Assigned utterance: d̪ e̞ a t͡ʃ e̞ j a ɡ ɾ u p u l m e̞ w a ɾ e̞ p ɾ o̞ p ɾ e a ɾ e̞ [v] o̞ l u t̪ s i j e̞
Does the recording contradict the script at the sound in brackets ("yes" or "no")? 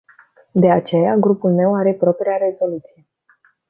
yes